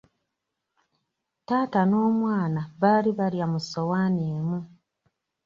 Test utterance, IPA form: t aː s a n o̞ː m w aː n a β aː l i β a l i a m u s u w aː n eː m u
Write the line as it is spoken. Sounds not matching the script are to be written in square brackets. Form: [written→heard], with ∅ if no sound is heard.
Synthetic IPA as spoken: t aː [s→t] a n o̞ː m w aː n a β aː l i β a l [i→j] a m u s [u→o] w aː n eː m u